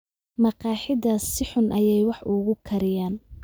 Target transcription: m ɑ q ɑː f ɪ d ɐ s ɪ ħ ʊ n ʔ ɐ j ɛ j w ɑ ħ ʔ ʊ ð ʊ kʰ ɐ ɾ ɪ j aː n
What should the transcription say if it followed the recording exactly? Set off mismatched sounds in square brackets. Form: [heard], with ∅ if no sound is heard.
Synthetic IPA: m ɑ q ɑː [ħ] ɪ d ɐ s ɪ ħ ʊ n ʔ ɐ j ɛ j w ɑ ħ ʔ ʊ [ɣ] ʊ kʰ ɐ ɾ ɪ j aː n